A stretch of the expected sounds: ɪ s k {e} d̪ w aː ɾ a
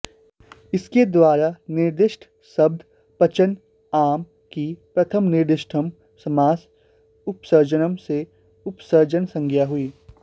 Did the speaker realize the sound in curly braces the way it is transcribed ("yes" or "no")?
yes